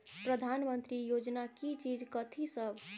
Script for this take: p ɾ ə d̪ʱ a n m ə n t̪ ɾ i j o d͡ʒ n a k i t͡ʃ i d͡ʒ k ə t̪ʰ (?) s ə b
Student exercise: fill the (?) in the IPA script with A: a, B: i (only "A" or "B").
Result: B